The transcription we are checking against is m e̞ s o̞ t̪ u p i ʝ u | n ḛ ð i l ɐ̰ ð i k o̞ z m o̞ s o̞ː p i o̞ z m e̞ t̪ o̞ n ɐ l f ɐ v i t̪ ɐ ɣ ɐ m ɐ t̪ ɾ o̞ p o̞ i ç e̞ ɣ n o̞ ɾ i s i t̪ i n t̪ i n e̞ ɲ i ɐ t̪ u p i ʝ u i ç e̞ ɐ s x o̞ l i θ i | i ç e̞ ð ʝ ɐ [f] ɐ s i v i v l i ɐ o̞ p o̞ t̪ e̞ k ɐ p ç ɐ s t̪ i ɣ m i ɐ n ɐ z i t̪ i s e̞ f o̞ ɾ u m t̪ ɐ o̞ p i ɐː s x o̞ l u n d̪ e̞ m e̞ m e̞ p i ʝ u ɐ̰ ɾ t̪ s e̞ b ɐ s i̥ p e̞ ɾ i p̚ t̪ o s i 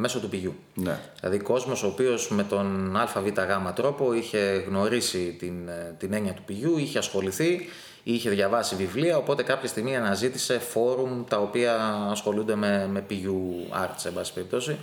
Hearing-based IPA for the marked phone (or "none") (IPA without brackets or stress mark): v